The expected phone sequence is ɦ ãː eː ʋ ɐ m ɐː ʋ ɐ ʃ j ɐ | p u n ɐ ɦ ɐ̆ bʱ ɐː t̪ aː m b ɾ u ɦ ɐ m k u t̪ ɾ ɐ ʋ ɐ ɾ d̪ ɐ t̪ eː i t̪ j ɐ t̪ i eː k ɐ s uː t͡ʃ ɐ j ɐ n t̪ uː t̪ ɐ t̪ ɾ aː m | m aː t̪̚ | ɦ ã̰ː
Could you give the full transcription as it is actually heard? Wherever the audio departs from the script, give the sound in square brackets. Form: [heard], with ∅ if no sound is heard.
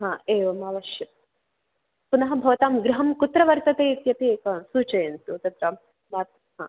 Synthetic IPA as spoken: ɦ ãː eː ʋ ɐ m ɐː ʋ ɐ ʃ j ɐ | p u n ɐ ɦ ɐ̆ bʱ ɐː t̪ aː m [ɡ] ɾ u ɦ ɐ m k u t̪ ɾ ɐ ʋ ɐ ɾ [t̪] ɐ t̪ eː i t̪ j ɐ t̪ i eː k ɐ s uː t͡ʃ ɐ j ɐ n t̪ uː t̪ ɐ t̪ ɾ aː m | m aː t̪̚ | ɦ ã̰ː